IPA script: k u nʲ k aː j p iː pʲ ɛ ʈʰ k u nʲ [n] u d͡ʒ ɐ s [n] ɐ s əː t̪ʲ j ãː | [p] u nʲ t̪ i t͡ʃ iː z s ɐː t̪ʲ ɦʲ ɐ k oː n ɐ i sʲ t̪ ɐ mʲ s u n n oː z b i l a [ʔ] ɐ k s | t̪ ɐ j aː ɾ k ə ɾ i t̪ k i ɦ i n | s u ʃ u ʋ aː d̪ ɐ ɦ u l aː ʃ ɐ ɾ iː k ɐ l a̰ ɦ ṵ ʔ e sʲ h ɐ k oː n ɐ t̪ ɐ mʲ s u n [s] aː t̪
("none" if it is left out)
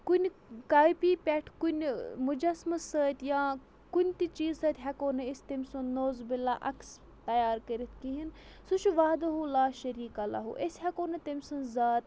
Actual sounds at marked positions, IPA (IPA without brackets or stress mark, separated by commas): m, m, k, ʔ, z